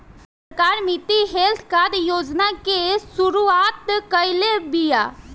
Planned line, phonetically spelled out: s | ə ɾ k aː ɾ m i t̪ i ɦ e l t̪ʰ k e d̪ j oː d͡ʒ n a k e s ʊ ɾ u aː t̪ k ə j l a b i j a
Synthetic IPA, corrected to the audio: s | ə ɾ k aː ɾ m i t̪ i ɦ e l t̪ʰ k a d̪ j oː d͡ʒ n a k e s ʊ ɾ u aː t̪ k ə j l e b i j a